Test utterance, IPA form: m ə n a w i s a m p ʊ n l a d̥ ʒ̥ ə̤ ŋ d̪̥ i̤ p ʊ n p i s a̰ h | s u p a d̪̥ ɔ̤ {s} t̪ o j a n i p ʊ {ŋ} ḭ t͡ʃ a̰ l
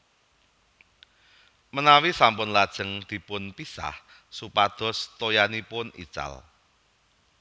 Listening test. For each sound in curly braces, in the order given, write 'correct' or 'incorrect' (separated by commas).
correct, incorrect